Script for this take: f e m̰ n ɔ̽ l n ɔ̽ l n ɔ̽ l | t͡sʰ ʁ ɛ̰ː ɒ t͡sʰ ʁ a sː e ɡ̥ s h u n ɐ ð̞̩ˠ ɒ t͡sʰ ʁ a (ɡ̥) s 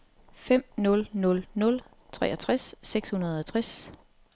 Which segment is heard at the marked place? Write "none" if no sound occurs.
none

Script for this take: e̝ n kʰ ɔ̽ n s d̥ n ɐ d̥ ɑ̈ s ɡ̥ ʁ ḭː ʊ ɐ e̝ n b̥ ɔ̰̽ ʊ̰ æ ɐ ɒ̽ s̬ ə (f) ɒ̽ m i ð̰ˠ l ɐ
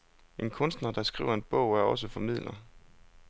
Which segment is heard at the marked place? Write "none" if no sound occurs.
f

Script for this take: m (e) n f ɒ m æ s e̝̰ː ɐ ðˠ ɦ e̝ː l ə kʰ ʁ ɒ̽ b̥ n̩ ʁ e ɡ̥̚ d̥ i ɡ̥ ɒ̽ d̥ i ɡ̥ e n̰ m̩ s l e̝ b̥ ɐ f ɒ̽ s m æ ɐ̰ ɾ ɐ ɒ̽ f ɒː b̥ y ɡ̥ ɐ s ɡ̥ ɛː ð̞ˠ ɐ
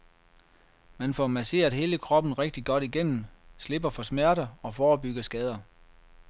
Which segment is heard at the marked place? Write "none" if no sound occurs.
æ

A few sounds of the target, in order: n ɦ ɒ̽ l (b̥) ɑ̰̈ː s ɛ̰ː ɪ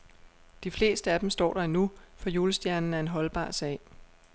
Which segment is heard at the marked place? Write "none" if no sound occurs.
b̥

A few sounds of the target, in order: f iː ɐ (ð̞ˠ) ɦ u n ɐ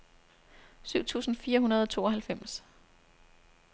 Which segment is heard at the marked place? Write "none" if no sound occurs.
none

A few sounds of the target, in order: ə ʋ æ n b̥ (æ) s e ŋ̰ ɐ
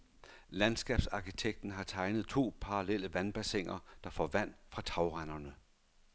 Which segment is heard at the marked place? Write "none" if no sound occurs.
æ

